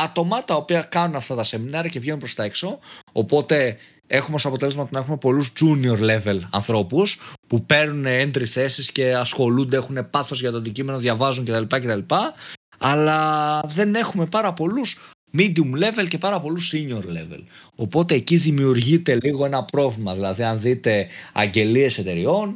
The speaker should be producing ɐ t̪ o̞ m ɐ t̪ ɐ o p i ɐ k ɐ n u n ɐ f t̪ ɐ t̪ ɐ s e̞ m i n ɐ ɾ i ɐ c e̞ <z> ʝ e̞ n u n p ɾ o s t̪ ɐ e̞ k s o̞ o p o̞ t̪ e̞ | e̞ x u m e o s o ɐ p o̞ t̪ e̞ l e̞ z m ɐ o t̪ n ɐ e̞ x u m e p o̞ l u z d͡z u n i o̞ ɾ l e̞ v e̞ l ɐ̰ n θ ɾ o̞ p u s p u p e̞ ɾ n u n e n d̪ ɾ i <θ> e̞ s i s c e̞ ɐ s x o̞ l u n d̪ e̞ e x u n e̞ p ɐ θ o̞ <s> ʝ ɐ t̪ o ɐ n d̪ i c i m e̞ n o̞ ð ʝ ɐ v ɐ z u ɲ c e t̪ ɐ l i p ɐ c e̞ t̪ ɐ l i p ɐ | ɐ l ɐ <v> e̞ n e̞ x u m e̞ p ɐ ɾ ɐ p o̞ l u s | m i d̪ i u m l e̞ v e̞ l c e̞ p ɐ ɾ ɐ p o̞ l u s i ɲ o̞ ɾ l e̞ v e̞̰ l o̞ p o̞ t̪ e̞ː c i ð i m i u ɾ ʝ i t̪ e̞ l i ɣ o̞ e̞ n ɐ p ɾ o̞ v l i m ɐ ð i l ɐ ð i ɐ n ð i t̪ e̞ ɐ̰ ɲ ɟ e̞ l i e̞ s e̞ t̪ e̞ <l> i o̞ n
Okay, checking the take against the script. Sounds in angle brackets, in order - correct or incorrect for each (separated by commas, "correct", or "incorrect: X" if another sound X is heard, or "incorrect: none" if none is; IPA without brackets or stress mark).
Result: incorrect: v, correct, incorrect: z, incorrect: ð, incorrect: ɾ